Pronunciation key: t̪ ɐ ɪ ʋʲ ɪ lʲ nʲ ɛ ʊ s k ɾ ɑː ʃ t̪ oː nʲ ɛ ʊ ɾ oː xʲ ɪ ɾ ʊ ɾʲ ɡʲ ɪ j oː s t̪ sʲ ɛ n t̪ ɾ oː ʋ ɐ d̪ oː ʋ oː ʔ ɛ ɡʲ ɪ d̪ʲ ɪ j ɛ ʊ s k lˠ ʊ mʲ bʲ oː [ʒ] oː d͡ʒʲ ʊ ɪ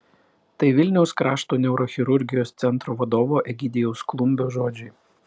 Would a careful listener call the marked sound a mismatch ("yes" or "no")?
no